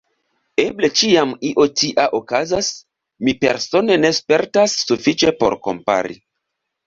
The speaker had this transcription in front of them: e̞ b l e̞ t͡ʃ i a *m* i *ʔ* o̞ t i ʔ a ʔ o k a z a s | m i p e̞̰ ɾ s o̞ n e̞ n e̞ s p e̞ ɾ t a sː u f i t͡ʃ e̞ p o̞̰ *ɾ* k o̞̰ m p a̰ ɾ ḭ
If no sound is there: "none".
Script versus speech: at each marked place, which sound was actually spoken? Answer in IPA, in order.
m, ʔ, ɾ

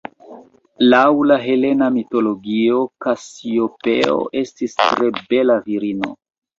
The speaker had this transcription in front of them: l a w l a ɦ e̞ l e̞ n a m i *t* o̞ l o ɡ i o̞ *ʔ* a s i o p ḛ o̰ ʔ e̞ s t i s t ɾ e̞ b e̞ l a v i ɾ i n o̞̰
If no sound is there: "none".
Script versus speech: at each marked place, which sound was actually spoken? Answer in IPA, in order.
t, k

